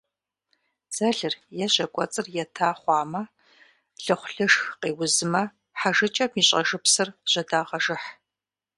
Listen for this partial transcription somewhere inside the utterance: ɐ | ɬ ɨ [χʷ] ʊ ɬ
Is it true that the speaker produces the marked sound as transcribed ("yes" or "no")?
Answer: yes